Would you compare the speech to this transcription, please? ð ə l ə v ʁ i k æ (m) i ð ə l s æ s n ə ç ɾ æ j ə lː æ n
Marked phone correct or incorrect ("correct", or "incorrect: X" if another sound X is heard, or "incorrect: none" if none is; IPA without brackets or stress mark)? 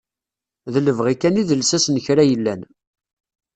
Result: incorrect: n